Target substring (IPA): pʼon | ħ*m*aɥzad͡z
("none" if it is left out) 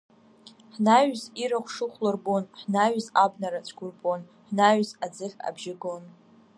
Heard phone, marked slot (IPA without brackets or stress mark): n